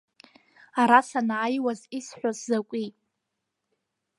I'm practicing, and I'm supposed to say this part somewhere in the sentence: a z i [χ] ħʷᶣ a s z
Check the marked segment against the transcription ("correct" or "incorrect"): incorrect